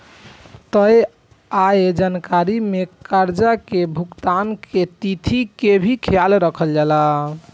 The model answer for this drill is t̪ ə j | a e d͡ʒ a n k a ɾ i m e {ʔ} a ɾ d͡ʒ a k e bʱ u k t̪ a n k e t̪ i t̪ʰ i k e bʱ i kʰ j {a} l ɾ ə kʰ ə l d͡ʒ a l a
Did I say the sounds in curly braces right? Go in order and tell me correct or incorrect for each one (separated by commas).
incorrect, correct